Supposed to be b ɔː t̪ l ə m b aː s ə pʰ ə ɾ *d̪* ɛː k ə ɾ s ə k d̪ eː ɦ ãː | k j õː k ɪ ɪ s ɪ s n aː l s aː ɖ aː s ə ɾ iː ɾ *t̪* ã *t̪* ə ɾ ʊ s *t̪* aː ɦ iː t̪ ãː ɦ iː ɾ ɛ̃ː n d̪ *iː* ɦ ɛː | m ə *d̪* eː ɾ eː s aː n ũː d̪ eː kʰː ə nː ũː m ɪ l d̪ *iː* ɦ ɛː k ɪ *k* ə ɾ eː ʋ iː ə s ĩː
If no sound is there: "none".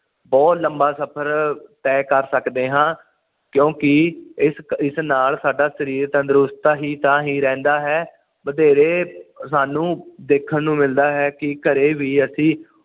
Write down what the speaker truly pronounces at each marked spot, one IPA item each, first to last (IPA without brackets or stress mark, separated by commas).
t̪, t̪, d̪, t̪, aː, d̪, aː, k